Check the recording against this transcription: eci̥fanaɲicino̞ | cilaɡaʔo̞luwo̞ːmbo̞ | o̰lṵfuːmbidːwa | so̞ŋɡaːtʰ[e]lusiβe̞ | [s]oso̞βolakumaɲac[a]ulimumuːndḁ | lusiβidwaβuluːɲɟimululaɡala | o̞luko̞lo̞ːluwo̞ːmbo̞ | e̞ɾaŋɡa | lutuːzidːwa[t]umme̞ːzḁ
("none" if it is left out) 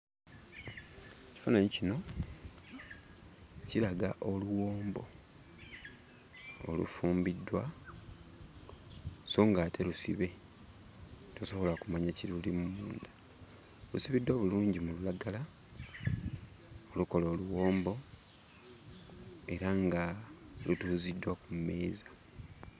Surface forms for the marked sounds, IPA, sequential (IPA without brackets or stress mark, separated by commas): e, t, i, k